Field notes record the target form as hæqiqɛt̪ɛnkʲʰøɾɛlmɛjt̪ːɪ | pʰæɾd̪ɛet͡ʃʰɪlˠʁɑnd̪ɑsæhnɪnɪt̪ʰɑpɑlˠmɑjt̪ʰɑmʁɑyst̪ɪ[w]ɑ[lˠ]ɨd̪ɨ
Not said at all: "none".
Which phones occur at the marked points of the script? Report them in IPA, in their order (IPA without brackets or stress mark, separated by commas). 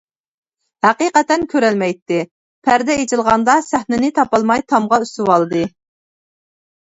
w, lˠ